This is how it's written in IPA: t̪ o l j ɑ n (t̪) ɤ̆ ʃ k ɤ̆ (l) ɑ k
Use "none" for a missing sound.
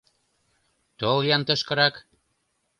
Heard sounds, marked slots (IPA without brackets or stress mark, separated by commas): t̪, ɾ